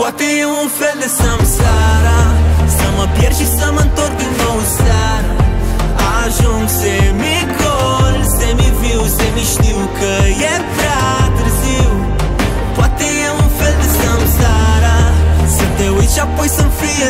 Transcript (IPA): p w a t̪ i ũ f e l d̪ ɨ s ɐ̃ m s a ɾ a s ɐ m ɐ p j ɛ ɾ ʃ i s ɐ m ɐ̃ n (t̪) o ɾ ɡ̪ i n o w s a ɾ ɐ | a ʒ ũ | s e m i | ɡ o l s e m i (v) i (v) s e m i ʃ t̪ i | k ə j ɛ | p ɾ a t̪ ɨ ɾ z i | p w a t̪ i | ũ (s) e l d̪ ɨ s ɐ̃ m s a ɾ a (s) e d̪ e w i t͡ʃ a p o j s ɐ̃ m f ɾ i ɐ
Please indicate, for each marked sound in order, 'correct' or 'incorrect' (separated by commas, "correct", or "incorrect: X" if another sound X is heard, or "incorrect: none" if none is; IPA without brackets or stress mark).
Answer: correct, correct, incorrect: w, incorrect: f, correct